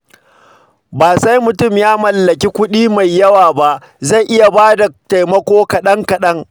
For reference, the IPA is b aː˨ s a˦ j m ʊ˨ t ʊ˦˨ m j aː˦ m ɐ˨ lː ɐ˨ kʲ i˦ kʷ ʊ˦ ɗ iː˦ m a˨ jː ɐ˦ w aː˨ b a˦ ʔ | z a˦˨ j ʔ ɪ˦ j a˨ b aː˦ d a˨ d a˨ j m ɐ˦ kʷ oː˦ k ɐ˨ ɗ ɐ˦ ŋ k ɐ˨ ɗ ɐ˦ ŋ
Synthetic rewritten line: b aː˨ s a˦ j m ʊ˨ t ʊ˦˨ m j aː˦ m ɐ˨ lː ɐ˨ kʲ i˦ kʷ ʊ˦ ɗ iː˦ m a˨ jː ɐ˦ w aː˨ b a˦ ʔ | z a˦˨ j ʔ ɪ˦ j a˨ b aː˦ d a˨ t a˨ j m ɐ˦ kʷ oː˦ k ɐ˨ ɗ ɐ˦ ŋ k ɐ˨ ɗ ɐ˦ ŋ